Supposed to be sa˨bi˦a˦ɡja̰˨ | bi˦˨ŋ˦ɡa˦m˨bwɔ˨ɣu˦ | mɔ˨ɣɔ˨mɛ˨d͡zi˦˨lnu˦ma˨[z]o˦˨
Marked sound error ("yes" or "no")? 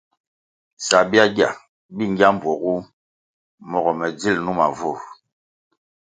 yes